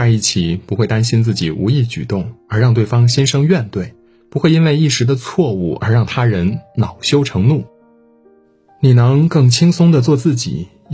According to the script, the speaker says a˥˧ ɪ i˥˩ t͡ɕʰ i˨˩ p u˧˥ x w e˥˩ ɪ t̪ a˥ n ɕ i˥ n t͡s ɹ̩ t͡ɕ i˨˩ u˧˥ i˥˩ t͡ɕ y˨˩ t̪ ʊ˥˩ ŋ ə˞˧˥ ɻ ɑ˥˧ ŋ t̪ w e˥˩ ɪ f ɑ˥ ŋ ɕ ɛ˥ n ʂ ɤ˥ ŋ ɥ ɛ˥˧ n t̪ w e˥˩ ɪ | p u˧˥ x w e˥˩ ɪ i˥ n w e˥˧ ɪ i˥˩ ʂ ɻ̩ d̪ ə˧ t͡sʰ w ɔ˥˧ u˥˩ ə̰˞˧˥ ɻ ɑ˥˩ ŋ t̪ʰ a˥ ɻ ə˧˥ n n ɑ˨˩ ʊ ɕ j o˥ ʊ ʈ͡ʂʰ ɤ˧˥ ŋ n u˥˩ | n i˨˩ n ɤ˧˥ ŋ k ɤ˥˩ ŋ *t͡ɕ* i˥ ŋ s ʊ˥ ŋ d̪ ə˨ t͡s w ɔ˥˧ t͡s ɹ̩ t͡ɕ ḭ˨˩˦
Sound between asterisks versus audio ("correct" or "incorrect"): incorrect